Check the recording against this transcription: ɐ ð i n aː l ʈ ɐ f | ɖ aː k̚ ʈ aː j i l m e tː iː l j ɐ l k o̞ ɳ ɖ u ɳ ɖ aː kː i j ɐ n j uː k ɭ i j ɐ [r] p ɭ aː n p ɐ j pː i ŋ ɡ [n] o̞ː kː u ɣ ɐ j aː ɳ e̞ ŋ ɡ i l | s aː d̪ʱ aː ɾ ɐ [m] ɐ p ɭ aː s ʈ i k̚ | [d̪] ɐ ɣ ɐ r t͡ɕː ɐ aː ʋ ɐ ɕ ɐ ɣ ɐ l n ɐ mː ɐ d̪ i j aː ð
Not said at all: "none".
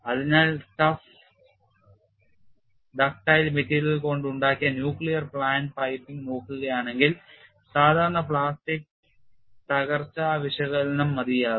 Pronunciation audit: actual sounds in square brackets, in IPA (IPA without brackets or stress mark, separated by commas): r, n, ɳ, t̪